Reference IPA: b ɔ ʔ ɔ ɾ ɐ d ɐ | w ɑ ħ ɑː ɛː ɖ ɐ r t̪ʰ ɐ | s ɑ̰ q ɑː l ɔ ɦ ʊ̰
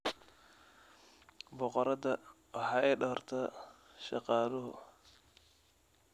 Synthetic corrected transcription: b ɔ q ɔ ɾ ɐ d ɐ | w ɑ ħ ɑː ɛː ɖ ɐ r t̪ʰ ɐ | ʃ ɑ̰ q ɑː l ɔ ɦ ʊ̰